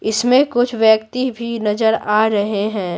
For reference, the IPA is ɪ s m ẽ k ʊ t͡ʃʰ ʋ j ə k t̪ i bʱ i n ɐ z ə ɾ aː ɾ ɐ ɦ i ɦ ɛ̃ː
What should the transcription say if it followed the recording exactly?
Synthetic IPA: ɪ s m ẽ k ʊ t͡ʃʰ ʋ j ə k t̪ i bʱ i n ɐ z ə ɾ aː ɾ ɐ ɦ e ɦ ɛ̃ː